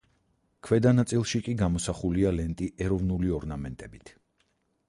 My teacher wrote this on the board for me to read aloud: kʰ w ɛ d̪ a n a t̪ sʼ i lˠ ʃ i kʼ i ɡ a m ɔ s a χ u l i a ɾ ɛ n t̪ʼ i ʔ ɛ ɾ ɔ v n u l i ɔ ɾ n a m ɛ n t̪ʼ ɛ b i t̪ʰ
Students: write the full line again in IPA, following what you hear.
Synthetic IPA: kʰ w ɛ d̪ a n a t̪ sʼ i lˠ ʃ i kʼ i ɡ a m ɔ s a χ u l i a l ɛ n t̪ʼ i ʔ ɛ ɾ ɔ v n u l i ɔ ɾ n a m ɛ n t̪ʼ ɛ b i t̪ʰ